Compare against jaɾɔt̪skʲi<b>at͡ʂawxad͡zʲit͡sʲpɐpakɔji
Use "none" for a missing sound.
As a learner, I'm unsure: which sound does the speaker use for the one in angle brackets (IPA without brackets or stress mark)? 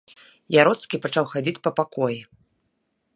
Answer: p